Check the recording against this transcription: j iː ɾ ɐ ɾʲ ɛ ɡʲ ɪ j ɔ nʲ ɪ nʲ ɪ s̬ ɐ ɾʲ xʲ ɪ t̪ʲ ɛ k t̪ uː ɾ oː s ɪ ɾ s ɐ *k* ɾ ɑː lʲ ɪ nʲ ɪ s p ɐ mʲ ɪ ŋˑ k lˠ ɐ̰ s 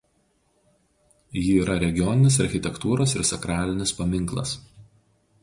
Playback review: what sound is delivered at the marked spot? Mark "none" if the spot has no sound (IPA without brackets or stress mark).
k